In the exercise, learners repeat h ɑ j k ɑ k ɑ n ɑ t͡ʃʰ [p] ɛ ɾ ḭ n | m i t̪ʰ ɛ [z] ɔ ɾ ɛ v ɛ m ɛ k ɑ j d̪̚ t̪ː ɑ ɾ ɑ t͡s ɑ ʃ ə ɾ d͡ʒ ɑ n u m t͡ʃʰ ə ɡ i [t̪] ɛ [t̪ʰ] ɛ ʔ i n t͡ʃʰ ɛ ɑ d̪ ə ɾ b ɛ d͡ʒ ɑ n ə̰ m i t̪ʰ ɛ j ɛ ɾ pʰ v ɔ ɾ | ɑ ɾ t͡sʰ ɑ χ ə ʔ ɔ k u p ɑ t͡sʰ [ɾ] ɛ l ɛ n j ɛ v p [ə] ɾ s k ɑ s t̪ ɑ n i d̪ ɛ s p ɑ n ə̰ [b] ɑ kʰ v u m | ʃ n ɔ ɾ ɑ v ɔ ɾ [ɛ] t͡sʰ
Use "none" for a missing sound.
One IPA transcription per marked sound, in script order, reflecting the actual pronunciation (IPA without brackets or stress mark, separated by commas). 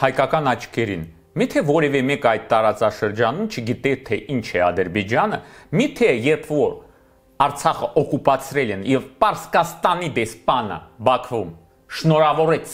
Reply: k, v, t̪, t̪ʰ, ɾ, ɑ, b, ɛ